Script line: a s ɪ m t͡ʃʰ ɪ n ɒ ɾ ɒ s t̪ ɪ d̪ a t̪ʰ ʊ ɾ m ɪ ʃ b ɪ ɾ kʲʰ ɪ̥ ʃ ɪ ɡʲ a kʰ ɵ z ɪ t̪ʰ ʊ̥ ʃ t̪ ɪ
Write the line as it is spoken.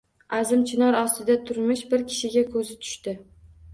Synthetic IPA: a z ɪ m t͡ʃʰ ɪ n ɒ ɾ ɒ s t̪ ɪ d̪ a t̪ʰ ʊ ɾ m ɪ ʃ b ɪ ɾ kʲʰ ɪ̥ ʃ ɪ ɡʲ a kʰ ɵ z ɪ t̪ʰ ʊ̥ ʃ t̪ ɪ

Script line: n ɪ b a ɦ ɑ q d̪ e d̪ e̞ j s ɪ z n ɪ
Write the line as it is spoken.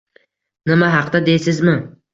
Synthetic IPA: n ɪ m a ɦ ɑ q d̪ a d̪ e̞ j s ɪ z m ɪ

